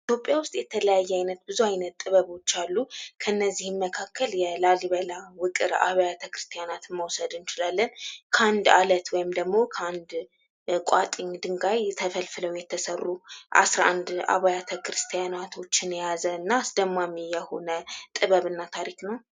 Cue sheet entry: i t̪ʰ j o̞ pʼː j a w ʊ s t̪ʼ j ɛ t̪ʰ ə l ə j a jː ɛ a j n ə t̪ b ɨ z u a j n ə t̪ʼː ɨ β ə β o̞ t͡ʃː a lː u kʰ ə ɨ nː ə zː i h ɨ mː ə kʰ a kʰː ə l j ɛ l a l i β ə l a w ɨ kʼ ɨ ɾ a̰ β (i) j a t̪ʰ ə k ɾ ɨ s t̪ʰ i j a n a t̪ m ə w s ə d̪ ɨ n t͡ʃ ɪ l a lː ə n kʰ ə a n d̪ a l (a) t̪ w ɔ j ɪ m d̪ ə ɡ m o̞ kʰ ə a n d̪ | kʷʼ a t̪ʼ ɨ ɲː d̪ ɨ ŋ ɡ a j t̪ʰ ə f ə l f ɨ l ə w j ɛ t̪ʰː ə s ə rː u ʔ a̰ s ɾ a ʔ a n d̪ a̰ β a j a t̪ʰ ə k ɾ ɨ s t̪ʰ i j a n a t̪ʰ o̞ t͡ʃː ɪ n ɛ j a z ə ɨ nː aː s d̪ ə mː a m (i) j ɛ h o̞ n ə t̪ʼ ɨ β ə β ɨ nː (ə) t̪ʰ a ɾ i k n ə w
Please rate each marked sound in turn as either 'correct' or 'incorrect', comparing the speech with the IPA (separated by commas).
incorrect, incorrect, correct, incorrect